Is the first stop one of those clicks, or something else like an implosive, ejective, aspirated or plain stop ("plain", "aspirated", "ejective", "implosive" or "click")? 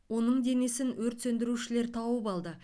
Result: plain